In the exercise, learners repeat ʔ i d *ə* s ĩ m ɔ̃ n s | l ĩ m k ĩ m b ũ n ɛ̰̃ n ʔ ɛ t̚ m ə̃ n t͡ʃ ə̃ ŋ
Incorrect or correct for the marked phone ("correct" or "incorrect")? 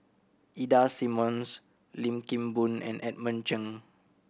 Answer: incorrect